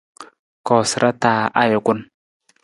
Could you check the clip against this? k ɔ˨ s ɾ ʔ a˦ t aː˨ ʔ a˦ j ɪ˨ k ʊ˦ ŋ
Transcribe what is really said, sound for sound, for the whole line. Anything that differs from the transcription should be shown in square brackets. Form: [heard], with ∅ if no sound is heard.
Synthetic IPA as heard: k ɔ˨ s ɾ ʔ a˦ t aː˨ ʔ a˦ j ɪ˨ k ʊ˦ [n]